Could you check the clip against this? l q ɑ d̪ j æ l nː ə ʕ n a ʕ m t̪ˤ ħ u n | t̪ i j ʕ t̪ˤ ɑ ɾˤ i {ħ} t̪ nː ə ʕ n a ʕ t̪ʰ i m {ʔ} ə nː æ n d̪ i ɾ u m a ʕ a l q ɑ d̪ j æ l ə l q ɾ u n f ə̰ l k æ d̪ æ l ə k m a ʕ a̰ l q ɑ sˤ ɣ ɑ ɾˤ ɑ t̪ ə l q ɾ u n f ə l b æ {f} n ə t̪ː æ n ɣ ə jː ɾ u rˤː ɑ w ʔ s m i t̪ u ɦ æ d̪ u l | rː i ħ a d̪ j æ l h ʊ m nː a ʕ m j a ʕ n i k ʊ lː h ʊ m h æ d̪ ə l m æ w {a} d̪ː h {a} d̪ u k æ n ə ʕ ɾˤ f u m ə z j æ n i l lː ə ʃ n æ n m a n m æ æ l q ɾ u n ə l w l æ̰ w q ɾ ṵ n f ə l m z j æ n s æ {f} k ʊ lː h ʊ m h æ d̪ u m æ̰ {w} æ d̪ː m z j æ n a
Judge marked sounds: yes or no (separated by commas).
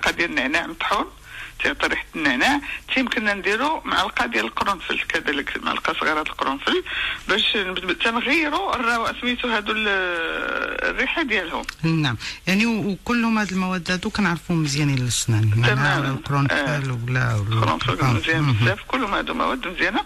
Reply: yes, no, no, no, no, yes, yes